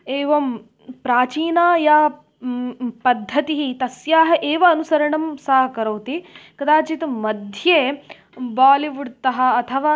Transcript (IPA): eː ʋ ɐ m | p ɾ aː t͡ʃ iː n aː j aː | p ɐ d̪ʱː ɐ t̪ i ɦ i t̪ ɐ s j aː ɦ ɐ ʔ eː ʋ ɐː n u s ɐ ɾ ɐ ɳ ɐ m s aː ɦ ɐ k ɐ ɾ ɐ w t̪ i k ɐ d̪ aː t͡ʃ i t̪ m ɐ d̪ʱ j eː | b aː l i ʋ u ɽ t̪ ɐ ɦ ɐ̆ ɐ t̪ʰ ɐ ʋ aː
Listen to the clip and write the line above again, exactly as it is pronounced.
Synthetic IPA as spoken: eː ʋ ɐ m | p ɾ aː t͡ʃ iː n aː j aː | p ɐ d̪ʱː ɐ t̪ i ɦ i t̪ ɐ s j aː ɦ ɐ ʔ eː ʋ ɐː n u s ɐ ɾ ɐ ɳ ɐ m s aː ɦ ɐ k ɐ ɾ ɐ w t̪ i k ɐ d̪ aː t͡ʃ i t̪ m ɐ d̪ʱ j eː | b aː l i ʋ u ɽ t̪ ɐ ɦ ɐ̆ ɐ t̪ʰ ɐ ʋ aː